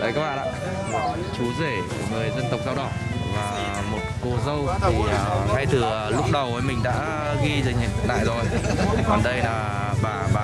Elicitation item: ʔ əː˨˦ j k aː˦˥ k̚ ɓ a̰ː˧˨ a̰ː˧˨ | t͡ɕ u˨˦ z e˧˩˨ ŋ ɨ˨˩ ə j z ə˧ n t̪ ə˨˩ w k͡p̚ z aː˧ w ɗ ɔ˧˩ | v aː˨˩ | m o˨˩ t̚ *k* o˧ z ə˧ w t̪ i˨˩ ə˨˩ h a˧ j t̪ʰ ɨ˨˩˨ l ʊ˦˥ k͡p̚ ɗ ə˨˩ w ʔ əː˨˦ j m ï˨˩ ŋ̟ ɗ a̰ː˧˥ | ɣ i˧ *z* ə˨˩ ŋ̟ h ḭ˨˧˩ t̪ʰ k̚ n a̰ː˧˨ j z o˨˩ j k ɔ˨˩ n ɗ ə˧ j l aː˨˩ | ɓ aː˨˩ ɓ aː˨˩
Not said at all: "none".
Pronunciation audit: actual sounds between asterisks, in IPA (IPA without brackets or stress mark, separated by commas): k, z